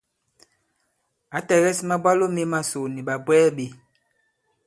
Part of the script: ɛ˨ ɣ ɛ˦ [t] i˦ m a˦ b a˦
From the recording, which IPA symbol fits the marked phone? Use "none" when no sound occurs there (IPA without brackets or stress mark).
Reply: s